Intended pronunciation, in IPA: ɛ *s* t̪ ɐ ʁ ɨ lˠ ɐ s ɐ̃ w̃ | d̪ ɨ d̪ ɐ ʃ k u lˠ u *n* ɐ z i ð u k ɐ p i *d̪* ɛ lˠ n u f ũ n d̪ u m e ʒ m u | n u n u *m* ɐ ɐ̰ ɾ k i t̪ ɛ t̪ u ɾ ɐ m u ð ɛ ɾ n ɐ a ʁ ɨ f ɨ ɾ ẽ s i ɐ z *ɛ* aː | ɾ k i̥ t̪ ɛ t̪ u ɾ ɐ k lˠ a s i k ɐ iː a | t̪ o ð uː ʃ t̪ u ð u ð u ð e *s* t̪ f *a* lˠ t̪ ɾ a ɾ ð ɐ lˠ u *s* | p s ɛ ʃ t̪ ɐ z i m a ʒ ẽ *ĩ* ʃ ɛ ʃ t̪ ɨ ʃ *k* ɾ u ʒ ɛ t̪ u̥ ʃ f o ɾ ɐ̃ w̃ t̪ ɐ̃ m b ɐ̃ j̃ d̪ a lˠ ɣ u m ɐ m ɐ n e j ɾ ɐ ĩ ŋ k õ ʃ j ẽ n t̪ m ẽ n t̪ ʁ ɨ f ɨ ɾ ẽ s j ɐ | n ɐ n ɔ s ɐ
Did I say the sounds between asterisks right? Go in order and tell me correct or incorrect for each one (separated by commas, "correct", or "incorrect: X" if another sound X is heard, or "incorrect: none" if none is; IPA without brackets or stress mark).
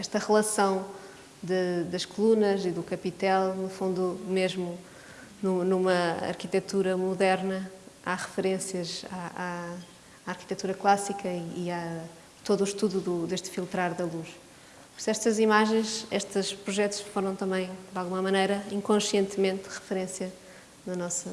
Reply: incorrect: ʃ, correct, incorrect: t̪, correct, incorrect: a, incorrect: ʃ, incorrect: i, incorrect: ʃ, incorrect: j̃, incorrect: p